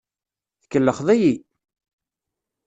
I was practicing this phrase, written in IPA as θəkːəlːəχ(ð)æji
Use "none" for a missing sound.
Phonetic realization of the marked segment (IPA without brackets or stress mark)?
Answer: ð